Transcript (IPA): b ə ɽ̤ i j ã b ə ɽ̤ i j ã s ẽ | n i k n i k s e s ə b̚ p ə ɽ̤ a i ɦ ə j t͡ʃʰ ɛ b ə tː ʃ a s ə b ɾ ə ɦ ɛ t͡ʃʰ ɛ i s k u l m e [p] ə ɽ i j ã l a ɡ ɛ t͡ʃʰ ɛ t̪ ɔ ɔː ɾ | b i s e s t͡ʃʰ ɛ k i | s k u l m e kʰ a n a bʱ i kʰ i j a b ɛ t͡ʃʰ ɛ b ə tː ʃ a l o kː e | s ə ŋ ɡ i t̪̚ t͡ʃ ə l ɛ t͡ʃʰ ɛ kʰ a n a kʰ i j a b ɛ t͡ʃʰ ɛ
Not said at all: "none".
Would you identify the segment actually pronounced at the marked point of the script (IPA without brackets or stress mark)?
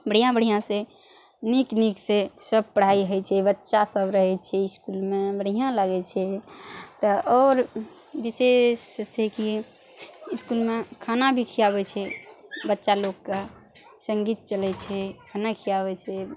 b